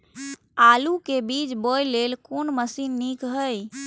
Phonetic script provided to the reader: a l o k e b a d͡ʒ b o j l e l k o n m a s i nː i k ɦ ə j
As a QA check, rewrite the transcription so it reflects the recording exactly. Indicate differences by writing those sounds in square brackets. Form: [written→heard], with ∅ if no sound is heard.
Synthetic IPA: a l [o→u] k e b [a→i] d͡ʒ b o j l e l k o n m [a→ə] s i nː i k ɦ ə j